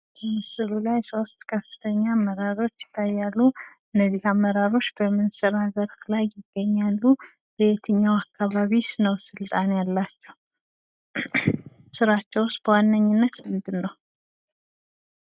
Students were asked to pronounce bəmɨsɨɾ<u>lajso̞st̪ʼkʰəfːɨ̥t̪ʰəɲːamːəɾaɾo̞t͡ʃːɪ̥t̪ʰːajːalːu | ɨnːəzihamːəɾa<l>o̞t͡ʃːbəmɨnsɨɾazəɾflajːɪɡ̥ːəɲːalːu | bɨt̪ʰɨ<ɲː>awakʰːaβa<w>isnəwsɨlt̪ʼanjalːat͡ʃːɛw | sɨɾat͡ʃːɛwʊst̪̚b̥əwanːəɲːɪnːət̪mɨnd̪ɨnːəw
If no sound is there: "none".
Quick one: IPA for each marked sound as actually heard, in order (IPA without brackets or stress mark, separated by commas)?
u, ɾ, ɲː, β